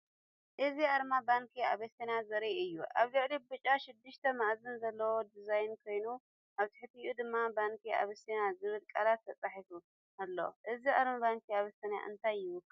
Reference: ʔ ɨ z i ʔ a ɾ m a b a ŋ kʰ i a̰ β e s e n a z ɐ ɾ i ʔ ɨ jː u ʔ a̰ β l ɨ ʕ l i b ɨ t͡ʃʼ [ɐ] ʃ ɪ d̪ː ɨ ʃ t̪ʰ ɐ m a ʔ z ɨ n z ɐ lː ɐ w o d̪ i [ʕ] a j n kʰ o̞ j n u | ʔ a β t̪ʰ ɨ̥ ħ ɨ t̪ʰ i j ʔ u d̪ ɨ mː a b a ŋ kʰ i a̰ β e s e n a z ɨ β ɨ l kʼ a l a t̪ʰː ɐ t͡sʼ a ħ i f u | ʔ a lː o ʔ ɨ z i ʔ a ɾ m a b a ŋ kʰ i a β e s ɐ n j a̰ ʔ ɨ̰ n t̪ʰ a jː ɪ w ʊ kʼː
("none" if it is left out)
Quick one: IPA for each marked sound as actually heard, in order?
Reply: a, z

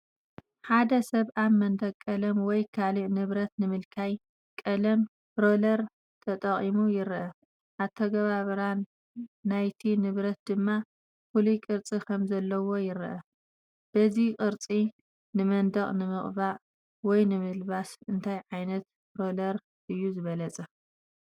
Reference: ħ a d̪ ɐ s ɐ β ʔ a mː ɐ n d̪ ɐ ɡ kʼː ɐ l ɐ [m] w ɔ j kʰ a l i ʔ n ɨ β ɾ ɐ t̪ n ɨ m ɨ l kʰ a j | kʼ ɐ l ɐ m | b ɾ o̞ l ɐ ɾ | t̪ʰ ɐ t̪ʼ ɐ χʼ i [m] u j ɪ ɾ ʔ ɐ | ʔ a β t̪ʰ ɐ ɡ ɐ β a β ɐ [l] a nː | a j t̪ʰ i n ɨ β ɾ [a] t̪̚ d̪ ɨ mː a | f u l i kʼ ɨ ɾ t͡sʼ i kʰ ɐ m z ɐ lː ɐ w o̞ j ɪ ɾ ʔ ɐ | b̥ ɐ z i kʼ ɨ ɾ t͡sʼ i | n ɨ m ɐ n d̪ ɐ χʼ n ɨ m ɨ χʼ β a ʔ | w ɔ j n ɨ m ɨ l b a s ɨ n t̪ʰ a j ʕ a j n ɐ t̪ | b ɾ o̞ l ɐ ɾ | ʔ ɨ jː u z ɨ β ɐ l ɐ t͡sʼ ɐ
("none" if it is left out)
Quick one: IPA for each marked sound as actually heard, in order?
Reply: m, m, ɾ, ɐ

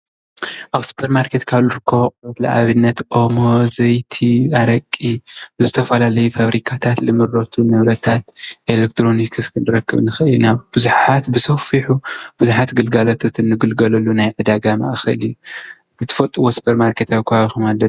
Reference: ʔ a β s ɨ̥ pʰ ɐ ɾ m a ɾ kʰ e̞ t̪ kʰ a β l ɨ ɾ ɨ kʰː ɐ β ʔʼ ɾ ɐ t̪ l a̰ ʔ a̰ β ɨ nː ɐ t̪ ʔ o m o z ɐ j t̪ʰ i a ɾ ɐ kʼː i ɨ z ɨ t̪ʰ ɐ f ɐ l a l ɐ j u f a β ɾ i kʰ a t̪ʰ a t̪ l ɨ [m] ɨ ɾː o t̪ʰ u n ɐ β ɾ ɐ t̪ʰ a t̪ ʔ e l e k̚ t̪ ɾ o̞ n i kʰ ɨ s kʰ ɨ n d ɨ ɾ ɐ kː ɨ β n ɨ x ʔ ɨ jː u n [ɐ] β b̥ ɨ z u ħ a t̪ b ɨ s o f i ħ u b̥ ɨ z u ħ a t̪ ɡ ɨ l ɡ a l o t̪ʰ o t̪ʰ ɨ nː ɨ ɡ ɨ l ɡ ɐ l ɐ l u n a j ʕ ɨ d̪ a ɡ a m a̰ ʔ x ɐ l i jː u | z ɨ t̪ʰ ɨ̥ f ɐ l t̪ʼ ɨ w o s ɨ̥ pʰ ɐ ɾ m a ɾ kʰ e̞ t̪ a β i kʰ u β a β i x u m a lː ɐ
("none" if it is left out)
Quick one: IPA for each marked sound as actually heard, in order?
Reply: m, a

